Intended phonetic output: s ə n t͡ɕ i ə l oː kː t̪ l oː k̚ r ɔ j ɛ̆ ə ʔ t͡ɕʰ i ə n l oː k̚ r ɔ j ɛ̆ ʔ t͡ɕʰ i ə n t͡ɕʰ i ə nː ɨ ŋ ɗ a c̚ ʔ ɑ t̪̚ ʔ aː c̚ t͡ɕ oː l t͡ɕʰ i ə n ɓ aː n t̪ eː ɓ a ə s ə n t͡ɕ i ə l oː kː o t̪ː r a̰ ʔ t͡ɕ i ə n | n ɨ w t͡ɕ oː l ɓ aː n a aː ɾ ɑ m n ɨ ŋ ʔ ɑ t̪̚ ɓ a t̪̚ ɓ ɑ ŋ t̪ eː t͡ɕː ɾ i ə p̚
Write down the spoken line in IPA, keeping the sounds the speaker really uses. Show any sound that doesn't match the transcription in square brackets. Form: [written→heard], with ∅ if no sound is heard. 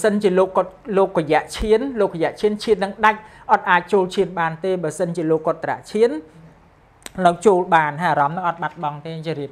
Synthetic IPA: s ə n t͡ɕ i ə l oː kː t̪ l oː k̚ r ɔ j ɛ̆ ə ʔ t͡ɕʰ i ə n l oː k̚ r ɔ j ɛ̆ ʔ t͡ɕʰ i ə n t͡ɕʰ i ə nː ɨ ŋ ɗ a c̚ ʔ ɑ t̪̚ ʔ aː c̚ t͡ɕ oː l t͡ɕʰ i ə n ɓ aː n t̪ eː ɓ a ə s ə n t͡ɕ i ə l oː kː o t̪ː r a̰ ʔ [t͡ɕ→t͡ɕʰ] i ə n | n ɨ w t͡ɕ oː l ɓ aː n a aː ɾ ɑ m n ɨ ŋ ʔ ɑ t̪̚ ɓ a t̪̚ ɓ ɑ ŋ t̪ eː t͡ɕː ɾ i ə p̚